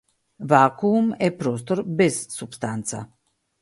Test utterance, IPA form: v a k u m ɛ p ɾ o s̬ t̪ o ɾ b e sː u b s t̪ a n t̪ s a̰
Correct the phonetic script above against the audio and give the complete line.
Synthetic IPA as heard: v a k u m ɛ p ɾ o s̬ t̪ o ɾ b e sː u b s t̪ a n t̪ s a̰